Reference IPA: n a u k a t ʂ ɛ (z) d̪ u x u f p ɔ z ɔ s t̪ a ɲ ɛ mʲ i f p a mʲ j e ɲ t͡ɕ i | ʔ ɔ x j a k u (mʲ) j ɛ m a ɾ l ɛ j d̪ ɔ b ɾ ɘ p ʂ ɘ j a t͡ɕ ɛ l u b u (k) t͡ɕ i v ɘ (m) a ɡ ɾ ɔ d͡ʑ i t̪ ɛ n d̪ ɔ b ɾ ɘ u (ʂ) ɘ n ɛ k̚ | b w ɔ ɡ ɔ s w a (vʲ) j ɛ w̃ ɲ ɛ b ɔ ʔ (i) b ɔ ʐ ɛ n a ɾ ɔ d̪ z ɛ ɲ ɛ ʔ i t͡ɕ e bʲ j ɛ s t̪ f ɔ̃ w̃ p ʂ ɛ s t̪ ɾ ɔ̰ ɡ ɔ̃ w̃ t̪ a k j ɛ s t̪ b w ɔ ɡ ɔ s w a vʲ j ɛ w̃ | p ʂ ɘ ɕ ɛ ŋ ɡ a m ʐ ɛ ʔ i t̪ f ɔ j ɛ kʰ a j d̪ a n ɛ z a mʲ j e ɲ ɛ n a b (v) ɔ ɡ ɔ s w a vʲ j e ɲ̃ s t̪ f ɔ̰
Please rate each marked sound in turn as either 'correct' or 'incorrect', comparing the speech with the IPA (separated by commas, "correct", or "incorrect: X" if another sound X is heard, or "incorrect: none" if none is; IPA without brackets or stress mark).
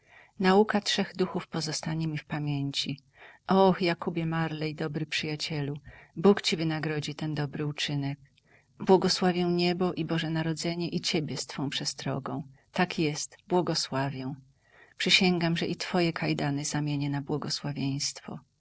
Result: incorrect: ɣ, incorrect: bʲ, correct, incorrect: n, incorrect: t͡ʂ, correct, correct, incorrect: w